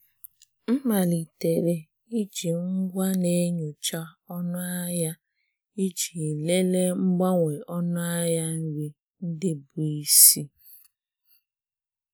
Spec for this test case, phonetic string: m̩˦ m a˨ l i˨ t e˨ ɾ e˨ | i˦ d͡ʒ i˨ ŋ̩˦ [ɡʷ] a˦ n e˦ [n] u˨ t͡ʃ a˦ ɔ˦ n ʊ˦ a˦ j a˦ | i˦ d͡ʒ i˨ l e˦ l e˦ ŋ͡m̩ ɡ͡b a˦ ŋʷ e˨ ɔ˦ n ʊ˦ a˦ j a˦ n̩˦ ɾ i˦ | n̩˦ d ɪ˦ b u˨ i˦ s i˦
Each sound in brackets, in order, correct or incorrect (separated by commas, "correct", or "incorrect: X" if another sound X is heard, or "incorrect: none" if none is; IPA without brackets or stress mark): correct, incorrect: ɲ